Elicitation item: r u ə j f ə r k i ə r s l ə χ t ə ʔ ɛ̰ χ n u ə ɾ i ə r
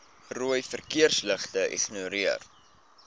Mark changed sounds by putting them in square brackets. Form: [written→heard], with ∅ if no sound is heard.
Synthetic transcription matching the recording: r u ə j f ə r k i ə r s l ə χ t ə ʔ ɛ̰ χ n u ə ɾ i ə r